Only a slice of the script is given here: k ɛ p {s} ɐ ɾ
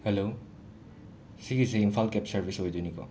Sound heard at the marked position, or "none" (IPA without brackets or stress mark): s